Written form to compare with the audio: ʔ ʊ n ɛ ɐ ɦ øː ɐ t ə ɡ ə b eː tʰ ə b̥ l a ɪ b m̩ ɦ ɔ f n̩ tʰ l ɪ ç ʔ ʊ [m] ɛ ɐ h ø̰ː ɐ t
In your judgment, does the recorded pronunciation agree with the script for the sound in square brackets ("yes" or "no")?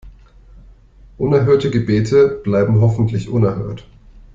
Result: no